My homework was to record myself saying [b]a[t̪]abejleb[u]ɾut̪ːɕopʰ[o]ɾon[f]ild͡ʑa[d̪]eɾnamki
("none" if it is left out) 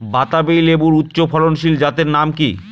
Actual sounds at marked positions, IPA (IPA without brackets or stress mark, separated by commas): b, t̪, u, ɔ, ʃ, t̪